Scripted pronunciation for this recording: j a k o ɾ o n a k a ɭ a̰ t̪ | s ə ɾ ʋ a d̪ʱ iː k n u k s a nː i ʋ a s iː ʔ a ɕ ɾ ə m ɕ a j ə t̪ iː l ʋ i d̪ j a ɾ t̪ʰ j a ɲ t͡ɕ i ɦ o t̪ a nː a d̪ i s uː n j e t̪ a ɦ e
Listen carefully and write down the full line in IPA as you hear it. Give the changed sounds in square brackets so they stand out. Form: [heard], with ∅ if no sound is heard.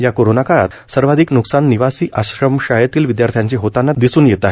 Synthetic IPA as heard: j a k o ɾ o n a k a ɭ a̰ t̪ | s ə ɾ ʋ a d̪ʱ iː k n u k s a nː i ʋ a s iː ʔ a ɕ ɾ ə m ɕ a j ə t̪ iː l ʋ i d̪ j a ɾ t̪ʰ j a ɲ t͡ɕ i ɦ o t̪ a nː a d̪ i s uː n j e t̪ a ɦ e

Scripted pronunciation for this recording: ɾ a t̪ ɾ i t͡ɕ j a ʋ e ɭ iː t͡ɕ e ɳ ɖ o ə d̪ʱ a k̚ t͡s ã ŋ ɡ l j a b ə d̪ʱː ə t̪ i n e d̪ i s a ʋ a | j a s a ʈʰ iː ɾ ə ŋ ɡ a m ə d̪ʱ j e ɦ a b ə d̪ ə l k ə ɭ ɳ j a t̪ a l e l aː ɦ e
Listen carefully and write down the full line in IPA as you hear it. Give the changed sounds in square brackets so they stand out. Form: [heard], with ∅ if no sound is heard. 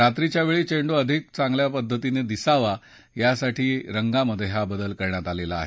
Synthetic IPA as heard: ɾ a t̪ ɾ i t͡ɕ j a ʋ e ɭ iː t͡ɕ e ɳ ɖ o ə d̪ʱ [i] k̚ t͡s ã ŋ ɡ l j a [p] ə d̪ʱː ə t̪ i n e d̪ i s a ʋ a | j a s a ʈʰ iː ɾ ə ŋ ɡ a m ə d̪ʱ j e ɦ a b ə d̪ ə l k ə [ɾ] ɳ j a t̪ a l e l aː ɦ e

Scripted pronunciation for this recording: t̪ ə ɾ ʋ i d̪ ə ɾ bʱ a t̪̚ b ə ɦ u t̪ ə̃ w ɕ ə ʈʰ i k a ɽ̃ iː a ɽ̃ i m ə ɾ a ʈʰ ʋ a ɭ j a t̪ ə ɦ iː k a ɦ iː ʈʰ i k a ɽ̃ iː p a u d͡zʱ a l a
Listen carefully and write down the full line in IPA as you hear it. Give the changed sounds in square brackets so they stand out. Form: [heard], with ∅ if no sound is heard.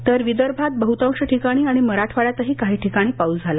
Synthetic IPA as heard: t̪ ə ɾ ʋ i d̪ ə ɾ bʱ a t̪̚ b ə ɦ u t̪ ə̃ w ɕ ə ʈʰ i k a ɽ̃ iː a ɽ̃ i m ə ɾ a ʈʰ ʋ a ɭ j a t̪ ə ɦ iː k a ɦ iː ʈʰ i k a ɽ̃ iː p a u d͡zʱ a l a

